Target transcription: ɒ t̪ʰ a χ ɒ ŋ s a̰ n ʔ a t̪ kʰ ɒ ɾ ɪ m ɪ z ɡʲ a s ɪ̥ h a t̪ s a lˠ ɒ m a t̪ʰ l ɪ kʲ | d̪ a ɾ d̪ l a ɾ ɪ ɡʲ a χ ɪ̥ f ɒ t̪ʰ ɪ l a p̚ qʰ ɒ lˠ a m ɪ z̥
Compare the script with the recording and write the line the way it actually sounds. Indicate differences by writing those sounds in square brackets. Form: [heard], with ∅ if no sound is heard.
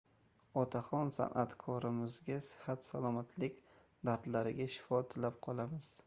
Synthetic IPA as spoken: ɒ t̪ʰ a χ ɒ [n] s a̰ n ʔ a t̪ kʰ ɒ ɾ ɪ m ɪ z ɡʲ a s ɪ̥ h a t̪ s a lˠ ɒ m a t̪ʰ l ɪ kʲ | d̪ a ɾ d̪ l a ɾ ɪ ɡʲ a [ʃ] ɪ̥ f ɒ t̪ʰ ɪ l a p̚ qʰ ɒ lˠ a m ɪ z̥